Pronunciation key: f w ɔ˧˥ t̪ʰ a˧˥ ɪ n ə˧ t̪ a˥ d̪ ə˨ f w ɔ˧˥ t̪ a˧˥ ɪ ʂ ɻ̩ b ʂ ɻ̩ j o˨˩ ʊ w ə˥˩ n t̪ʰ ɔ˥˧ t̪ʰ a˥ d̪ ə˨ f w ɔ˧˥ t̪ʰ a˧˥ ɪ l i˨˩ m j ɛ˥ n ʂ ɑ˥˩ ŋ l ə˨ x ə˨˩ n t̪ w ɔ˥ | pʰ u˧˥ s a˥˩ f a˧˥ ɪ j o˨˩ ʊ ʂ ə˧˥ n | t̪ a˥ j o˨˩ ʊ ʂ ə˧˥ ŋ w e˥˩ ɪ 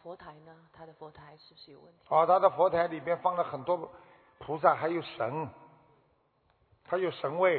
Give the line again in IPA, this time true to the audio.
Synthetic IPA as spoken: f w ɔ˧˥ t̪ʰ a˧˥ ɪ n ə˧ t̪ʰ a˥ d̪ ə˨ f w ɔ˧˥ t̪ʰ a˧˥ ɪ ʂ ɻ̩ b ʂ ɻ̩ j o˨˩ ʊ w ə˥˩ n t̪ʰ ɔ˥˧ t̪ʰ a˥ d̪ ə˨ f w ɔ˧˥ t̪ʰ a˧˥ ɪ l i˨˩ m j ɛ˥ n f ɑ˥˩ ŋ l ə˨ x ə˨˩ n t̪ w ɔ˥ | pʰ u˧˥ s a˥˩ x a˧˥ ɪ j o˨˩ ʊ ʂ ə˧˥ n | t̪ʰ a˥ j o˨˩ ʊ ʂ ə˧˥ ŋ w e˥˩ ɪ